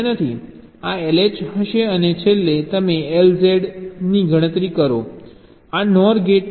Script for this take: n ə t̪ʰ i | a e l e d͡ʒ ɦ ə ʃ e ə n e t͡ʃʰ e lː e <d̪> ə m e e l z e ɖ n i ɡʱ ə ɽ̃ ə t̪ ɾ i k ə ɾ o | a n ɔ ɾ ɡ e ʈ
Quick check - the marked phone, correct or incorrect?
incorrect